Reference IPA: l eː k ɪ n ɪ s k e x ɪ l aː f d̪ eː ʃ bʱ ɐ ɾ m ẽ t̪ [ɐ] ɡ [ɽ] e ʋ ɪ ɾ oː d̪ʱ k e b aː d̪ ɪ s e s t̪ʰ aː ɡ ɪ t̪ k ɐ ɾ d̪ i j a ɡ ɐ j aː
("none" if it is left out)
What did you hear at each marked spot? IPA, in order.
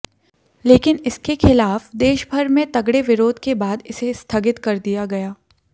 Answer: ɐ, ɽ

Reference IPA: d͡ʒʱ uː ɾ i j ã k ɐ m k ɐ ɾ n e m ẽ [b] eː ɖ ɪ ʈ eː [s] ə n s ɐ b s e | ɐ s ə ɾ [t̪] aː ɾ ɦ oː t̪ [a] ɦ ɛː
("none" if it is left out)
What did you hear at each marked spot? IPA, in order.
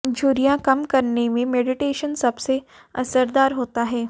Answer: m, ʃ, d̪, a

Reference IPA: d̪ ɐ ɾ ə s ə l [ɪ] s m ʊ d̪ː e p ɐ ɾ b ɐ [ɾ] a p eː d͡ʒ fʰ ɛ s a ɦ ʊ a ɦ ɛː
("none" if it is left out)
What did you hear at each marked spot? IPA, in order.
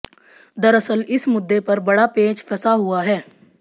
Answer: ɪ, ɽ

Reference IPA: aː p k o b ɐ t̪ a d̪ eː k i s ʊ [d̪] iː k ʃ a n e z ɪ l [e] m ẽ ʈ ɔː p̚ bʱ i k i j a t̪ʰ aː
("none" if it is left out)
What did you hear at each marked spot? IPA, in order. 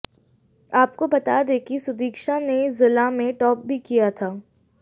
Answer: d̪, a

